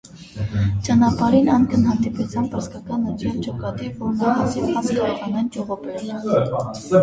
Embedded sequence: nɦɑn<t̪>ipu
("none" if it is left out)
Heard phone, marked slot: d̪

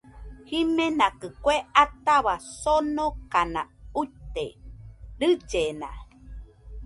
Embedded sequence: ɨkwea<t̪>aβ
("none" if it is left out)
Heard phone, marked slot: t̪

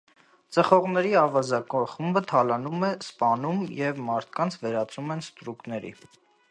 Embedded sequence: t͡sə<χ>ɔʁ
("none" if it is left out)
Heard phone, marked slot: χ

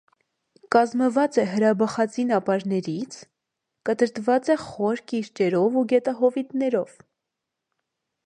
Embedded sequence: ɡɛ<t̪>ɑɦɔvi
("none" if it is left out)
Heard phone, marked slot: t̪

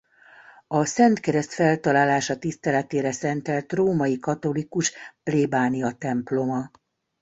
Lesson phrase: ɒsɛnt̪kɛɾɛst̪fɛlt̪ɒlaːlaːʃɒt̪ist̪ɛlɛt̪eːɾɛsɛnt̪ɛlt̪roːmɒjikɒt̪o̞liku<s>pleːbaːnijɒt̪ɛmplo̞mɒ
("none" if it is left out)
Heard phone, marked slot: ʃ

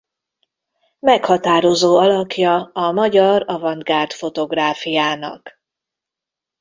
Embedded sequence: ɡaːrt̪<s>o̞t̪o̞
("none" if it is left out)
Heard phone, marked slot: f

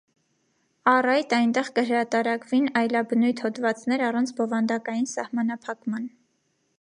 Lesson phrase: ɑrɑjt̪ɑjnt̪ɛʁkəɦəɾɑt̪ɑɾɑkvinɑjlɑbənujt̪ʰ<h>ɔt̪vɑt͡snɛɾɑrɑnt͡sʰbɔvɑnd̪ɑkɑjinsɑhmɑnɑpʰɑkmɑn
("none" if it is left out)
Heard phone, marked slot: h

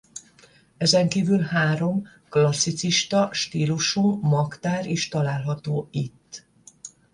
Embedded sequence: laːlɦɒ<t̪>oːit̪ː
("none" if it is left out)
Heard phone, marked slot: t̪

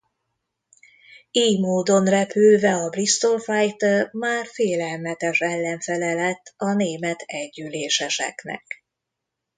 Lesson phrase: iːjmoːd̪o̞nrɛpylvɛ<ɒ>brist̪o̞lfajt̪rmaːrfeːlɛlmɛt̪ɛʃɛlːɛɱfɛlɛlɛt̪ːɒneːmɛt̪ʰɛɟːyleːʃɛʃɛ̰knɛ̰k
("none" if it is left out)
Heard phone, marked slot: ɒ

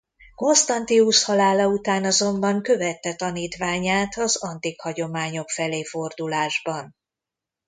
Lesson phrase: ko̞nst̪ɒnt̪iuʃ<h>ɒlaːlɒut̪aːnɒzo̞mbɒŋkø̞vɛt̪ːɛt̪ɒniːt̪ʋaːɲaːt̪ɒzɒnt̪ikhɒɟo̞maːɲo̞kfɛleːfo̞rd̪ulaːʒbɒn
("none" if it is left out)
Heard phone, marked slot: h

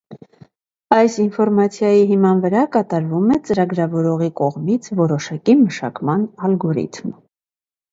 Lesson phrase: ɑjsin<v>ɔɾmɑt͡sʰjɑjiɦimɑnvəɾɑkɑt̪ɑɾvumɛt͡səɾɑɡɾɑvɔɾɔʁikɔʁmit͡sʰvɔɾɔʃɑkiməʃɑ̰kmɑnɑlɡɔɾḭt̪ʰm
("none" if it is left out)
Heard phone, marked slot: f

